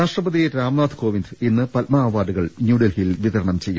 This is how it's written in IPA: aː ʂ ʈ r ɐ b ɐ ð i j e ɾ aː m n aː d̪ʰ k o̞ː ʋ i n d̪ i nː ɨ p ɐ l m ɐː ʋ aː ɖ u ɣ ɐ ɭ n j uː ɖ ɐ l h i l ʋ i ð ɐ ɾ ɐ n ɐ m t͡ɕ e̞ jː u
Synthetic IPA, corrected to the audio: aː ʂ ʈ r ɐ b ɐ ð i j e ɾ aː m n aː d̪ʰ k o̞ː ʋ i n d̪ i nː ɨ p ɐ l m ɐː ʋ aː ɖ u ɣ ɐ ɭ n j uː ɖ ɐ l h i l ʋ i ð ɐ ɾ ɐ ɳ ɐ m t͡ɕ e̞ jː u